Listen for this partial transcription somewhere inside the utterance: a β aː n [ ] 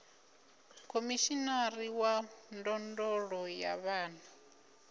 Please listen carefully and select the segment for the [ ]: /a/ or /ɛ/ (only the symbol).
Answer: a